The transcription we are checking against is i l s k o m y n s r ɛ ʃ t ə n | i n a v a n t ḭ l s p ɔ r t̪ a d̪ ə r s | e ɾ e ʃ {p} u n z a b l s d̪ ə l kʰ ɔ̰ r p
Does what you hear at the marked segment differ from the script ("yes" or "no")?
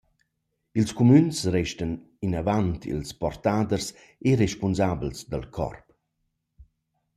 no